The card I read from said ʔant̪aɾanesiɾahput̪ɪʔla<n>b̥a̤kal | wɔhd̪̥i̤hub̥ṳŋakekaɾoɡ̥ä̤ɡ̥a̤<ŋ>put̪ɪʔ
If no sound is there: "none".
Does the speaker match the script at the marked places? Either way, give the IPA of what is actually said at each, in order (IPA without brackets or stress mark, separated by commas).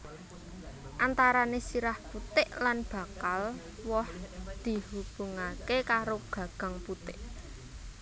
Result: n, ŋ